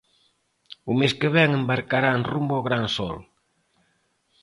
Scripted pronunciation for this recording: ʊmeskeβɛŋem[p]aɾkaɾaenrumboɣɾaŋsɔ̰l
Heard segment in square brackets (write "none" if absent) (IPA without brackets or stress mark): b